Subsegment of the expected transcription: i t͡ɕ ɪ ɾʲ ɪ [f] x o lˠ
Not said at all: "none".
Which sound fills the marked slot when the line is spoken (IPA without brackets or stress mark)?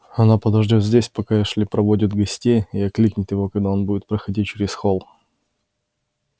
s